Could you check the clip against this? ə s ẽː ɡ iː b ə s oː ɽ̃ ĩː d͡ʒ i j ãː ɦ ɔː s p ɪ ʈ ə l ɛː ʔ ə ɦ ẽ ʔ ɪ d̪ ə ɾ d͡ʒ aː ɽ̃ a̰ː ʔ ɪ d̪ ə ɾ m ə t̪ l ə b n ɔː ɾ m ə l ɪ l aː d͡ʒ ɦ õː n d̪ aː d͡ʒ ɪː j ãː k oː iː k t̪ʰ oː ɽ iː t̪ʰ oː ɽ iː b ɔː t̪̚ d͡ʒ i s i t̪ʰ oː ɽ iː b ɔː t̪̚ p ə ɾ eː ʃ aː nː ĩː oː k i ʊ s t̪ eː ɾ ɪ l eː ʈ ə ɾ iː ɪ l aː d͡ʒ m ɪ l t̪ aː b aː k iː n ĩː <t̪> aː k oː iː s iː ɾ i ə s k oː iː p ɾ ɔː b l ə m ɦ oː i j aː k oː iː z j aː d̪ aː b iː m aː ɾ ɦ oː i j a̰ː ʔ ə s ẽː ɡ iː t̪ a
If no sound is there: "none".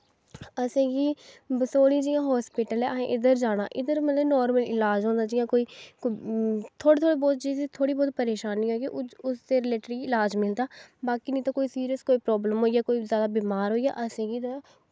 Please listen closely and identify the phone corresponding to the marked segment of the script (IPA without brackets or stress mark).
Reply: t̪